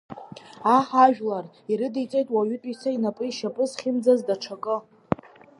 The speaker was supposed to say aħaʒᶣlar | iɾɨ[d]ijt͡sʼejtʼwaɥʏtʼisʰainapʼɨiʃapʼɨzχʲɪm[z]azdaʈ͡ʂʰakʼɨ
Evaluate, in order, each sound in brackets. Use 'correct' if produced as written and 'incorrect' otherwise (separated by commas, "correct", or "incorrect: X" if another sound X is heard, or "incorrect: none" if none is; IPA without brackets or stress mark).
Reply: correct, incorrect: d͡z